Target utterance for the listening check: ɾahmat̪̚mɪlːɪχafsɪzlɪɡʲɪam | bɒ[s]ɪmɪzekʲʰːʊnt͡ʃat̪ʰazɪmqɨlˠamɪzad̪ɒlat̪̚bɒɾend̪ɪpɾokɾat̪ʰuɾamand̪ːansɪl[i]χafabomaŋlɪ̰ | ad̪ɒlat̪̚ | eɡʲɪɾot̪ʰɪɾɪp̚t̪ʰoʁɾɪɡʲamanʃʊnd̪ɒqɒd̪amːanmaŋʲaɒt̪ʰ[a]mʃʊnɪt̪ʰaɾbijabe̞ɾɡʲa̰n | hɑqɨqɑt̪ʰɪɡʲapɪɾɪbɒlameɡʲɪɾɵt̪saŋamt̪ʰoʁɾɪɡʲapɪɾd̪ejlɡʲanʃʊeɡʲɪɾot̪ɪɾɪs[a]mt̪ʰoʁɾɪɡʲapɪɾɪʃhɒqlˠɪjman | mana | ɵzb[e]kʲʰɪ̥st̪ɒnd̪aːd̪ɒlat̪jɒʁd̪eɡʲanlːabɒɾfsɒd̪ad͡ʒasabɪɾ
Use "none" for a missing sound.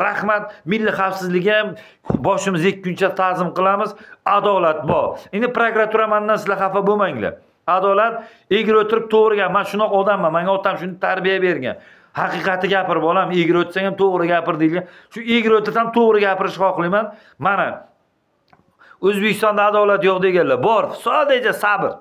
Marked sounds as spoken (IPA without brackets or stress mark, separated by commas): ʃ, a, a, a, e